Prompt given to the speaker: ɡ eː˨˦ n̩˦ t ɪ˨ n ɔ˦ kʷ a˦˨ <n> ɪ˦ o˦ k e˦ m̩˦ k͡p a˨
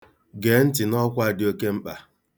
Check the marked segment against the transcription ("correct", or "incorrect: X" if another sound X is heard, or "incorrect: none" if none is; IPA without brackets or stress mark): incorrect: d